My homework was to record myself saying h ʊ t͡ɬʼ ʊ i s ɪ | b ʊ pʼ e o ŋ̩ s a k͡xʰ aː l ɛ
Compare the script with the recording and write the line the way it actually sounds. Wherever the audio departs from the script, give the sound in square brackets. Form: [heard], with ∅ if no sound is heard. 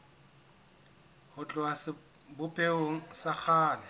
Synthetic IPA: h ʊ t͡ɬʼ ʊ [a] s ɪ | b ʊ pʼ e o ŋ̩ s a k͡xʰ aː l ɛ